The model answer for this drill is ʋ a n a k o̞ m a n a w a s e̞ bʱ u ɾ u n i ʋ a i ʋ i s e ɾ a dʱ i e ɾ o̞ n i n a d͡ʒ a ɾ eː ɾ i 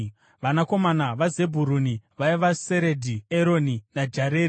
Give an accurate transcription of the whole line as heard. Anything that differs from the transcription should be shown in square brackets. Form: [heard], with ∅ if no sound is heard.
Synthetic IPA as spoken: ʋ a n a k o̞ m a n a [ʋ] a [z] e̞ bʱ u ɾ u n i ʋ a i ʋ [a] s e ɾ [e] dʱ i e ɾ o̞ n i n a d͡ʒ a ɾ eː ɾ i